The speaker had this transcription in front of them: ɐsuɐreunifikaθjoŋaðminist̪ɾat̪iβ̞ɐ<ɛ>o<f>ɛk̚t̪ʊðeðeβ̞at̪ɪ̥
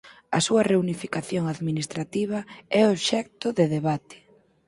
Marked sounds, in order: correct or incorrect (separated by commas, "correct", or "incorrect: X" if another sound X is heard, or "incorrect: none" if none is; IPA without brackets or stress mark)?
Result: correct, incorrect: ʃ